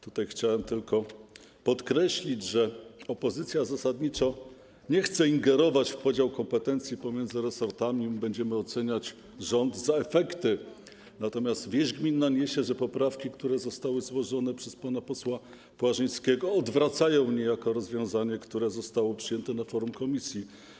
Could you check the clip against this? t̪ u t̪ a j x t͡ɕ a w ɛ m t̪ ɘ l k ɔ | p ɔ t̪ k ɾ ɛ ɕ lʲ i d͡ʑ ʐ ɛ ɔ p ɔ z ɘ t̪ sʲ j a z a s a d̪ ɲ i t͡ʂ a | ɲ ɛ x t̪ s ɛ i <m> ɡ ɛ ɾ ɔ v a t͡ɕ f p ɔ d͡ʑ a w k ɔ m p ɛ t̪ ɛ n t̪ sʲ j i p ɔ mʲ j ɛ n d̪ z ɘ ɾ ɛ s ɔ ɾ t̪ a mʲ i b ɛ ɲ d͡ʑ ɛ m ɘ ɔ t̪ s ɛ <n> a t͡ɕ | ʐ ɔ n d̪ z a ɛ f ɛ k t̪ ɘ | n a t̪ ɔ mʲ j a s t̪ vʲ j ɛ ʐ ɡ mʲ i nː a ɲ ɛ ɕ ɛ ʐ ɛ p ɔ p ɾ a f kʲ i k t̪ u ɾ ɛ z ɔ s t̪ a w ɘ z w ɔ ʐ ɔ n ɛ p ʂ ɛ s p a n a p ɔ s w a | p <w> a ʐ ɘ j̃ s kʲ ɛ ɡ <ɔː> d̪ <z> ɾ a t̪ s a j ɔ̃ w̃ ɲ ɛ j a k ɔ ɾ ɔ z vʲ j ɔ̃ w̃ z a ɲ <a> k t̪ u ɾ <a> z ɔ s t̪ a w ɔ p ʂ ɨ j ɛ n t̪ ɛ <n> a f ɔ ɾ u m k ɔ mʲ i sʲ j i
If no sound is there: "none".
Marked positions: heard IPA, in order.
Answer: ŋ, ɲ, w, ɔː, v, ɛ, ɛ, n

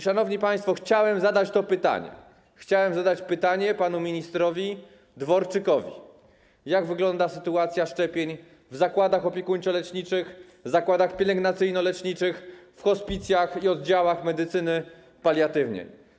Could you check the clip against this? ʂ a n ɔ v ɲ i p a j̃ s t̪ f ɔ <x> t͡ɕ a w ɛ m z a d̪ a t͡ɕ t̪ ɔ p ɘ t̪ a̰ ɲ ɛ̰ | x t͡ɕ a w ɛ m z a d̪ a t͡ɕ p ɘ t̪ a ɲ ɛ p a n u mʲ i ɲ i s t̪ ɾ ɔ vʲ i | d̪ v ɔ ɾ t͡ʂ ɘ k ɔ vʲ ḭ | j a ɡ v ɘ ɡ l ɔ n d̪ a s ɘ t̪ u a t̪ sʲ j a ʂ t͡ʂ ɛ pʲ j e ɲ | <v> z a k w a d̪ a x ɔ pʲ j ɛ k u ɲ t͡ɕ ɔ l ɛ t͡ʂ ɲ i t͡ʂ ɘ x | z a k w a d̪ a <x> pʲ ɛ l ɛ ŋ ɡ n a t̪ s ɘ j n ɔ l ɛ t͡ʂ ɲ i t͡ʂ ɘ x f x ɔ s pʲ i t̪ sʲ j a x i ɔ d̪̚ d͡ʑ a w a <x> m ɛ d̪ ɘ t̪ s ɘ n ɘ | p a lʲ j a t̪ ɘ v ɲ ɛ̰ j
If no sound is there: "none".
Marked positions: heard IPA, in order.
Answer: x, v, x, x

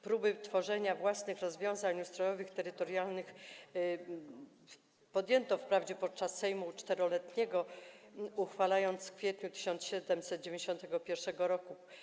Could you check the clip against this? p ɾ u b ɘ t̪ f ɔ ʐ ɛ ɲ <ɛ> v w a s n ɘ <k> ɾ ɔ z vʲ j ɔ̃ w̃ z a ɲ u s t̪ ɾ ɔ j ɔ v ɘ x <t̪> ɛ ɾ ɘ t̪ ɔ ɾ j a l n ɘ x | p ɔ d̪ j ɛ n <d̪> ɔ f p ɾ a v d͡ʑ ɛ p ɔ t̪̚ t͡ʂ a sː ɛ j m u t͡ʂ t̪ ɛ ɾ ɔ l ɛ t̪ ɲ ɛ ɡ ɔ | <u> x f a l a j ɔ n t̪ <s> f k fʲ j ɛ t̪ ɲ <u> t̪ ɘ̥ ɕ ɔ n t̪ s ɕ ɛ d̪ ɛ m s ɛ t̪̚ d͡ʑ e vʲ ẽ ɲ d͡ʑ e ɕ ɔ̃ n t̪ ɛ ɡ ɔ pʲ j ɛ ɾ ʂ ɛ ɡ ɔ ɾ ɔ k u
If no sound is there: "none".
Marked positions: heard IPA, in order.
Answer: a, x, t̪, t̪, u, s, u

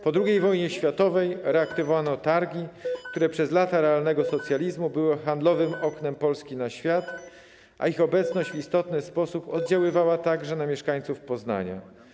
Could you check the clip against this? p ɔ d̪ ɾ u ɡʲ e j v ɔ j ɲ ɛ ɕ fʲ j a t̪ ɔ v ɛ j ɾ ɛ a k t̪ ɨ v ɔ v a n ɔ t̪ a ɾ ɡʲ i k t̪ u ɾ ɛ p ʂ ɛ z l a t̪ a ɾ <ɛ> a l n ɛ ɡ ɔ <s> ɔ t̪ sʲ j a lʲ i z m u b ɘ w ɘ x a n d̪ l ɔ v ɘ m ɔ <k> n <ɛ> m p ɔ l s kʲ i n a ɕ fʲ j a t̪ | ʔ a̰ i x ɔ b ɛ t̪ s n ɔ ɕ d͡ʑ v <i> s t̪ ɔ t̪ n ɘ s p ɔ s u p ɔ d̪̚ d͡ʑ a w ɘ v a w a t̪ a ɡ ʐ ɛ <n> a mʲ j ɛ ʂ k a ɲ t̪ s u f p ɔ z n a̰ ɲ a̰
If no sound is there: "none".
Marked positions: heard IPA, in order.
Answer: ɛ, s, k, ɛ, i, n

